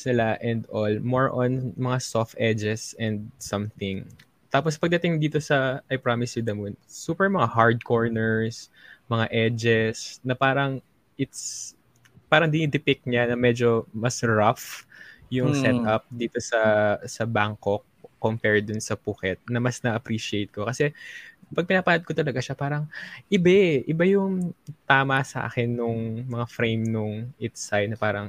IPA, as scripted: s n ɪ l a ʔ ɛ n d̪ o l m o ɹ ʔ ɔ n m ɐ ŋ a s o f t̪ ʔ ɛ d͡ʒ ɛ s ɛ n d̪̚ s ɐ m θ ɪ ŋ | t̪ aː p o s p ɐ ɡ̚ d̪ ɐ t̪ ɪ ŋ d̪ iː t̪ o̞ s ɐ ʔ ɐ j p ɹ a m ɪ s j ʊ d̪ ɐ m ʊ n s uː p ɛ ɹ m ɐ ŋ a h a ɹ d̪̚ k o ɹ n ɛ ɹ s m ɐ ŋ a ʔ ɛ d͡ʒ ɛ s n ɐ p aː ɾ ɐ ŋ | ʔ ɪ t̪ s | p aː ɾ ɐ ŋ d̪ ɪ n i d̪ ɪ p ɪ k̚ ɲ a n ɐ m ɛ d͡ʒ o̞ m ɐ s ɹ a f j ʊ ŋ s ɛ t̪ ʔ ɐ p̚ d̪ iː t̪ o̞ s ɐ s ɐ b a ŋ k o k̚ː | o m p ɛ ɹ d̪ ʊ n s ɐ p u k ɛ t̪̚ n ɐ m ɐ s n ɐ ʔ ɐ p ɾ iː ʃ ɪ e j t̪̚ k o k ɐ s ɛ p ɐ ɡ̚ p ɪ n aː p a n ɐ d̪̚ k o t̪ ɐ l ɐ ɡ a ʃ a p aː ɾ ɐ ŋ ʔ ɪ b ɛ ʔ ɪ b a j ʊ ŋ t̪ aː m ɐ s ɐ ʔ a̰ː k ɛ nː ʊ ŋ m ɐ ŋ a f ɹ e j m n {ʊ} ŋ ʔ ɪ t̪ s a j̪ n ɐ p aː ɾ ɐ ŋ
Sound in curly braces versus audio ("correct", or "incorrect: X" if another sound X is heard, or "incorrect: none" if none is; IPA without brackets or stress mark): correct